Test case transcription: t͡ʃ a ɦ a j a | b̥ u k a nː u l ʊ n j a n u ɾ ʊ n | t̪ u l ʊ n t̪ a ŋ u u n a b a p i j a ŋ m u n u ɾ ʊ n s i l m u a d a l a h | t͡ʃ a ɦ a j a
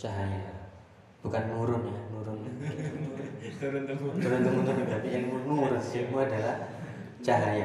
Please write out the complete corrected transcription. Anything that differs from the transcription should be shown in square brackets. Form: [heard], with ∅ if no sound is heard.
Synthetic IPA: t͡ʃ a ɦ a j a | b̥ u k a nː u [ɾ] ʊ n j a n u ɾ ʊ n | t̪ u [ɾ] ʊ n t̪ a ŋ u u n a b a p i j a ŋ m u n u ɾ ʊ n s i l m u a d a l a h | t͡ʃ a ɦ a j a